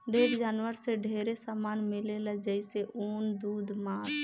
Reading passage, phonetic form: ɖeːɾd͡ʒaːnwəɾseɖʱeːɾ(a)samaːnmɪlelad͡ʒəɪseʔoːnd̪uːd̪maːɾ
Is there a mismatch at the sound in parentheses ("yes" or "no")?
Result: yes